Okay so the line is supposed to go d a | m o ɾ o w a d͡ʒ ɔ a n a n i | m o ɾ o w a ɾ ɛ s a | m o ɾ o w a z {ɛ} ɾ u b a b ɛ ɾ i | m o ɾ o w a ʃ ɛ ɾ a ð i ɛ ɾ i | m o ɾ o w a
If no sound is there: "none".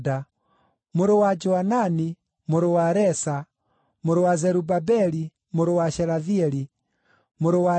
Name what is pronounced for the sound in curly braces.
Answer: ɛ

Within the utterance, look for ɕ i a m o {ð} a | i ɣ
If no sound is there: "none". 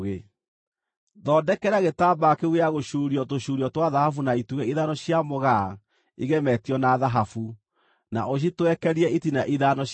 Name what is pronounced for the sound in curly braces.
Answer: ɣ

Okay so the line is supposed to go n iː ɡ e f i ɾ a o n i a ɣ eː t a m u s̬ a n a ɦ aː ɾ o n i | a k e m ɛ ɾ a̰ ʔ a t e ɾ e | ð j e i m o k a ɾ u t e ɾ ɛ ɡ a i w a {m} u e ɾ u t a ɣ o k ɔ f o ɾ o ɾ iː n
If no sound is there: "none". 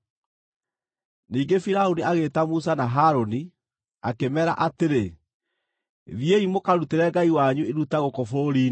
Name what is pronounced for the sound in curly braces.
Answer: ɲ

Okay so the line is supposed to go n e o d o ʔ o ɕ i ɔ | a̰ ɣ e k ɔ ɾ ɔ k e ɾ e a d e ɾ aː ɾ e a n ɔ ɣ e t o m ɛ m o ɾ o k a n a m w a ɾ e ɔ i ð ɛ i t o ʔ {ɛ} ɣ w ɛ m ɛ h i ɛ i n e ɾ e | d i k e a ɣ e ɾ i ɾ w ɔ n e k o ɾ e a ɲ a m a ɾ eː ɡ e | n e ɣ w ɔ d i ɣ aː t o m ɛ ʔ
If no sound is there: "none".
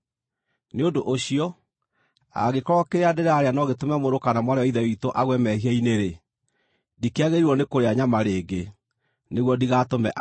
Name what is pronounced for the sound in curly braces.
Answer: a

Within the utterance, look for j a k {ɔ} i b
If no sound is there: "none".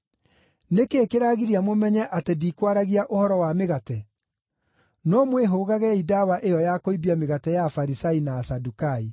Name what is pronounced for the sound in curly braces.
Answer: o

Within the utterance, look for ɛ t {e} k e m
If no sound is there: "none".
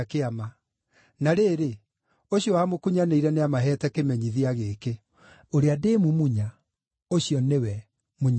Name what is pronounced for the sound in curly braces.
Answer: ɛ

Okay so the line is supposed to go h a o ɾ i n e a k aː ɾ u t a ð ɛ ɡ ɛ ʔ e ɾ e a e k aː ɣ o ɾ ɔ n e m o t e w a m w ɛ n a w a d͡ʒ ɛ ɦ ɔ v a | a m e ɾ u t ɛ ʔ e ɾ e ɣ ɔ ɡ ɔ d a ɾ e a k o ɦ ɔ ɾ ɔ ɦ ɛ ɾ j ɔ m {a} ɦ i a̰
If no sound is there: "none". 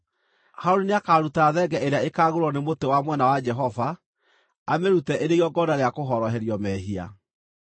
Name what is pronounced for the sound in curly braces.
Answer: ɛ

